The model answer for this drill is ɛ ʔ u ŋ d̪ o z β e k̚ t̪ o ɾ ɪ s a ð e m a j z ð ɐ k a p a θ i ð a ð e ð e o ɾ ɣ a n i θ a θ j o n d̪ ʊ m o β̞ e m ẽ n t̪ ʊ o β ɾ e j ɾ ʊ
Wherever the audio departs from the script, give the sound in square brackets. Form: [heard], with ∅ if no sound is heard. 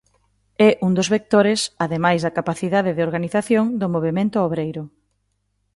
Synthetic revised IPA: ɛ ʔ u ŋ d̪ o z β e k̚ t̪ o ɾ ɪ s a ð e m a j z ð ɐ k a p a θ i ð a ð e ð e o ɾ ɣ a n i θ a θ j o [ŋ] d̪ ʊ m o β̞ e m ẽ n t̪ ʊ o β ɾ e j ɾ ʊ